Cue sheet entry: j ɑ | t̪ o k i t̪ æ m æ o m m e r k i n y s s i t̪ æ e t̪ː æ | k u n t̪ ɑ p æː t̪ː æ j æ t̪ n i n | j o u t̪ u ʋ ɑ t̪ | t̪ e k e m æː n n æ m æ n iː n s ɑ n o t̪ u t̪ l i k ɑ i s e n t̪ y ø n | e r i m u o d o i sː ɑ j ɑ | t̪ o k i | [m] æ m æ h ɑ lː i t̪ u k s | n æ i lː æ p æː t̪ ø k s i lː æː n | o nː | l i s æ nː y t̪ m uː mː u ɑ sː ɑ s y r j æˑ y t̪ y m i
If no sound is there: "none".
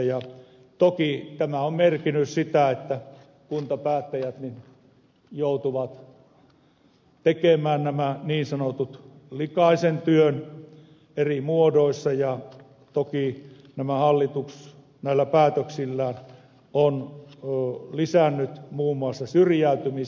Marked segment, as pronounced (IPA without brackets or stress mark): n